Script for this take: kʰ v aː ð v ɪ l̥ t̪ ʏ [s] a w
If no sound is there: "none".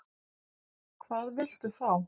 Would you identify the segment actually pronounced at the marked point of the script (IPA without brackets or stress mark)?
θ